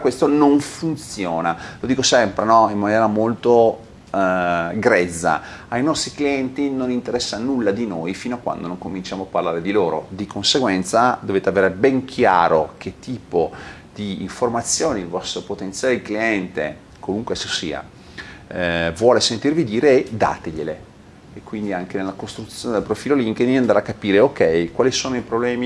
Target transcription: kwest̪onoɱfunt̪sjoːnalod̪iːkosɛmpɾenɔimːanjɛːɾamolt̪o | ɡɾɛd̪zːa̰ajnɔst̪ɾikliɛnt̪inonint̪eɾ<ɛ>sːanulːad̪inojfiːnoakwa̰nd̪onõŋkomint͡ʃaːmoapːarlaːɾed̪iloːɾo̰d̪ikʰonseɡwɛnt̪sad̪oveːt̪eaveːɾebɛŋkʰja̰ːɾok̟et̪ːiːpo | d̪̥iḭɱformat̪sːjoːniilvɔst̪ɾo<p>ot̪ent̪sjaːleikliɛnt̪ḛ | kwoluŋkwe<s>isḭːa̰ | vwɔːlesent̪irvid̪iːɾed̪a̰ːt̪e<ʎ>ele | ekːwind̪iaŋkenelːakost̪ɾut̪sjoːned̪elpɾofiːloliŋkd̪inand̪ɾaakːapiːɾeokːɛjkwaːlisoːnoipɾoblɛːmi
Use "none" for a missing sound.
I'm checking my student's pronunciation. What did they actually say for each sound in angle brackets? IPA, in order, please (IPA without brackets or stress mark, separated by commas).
ɛ, p, s, ʎ